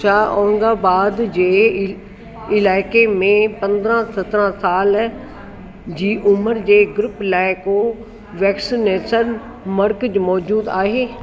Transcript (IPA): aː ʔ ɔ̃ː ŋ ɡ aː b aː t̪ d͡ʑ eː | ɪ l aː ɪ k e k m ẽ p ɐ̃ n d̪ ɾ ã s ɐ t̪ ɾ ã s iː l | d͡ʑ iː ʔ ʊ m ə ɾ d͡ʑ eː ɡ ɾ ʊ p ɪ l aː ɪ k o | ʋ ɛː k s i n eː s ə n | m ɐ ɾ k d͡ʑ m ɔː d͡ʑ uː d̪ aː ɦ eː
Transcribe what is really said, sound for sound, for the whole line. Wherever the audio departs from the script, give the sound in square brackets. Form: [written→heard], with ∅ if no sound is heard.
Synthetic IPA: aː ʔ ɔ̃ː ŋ ɡ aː b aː [t̪→d̪] d͡ʑ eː | ɪ l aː ɪ k e [k→∅] m ẽ p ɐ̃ n d̪ ɾ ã s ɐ t̪ ɾ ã s [iː→aː] l | d͡ʑ iː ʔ ʊ m ə ɾ d͡ʑ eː ɡ ɾ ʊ p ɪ l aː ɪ k o | ʋ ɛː k s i n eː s ə n | m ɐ ɾ k d͡ʑ m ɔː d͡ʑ uː d̪ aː ɦ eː